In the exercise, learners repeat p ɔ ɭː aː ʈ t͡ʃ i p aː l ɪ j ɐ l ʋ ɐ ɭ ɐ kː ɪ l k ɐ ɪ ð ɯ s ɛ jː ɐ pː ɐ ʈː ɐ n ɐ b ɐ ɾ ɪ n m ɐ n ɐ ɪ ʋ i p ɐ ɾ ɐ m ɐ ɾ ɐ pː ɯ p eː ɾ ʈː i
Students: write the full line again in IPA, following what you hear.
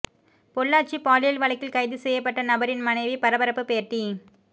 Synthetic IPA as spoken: p ɔ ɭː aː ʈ t͡ʃ i p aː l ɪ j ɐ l ʋ ɐ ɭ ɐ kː ɪ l k ɐ ɪ ð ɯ s ɛ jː ɐ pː ɐ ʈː ɐ n ɐ b ɐ ɾ ɪ n m ɐ n ɐ ɪ ʋ i p ɐ ɾ ɐ b ɐ ɾ ɐ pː ɯ p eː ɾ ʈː i